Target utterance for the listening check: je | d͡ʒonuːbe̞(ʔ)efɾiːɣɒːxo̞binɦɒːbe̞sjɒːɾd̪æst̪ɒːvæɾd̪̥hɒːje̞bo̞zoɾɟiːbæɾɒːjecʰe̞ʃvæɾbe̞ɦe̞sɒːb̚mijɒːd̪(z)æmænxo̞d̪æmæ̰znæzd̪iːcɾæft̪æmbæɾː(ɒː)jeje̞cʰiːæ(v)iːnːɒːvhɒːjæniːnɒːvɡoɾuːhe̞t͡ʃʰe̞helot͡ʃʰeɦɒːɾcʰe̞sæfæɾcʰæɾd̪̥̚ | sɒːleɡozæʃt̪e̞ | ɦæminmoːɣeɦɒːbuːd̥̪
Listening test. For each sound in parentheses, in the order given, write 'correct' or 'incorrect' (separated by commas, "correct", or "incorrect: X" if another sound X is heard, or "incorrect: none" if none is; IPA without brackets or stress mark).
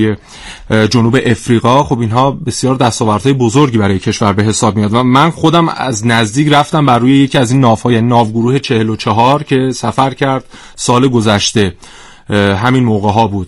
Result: correct, incorrect: v, incorrect: uː, incorrect: z